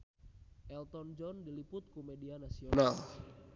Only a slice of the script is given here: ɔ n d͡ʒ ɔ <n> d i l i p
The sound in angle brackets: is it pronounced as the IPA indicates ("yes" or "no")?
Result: yes